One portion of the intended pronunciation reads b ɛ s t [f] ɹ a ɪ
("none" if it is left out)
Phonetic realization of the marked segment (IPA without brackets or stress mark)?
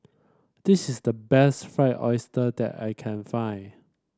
f